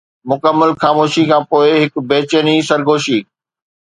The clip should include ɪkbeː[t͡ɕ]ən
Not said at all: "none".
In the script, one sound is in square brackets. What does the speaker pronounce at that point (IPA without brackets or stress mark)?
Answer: t͡ɕ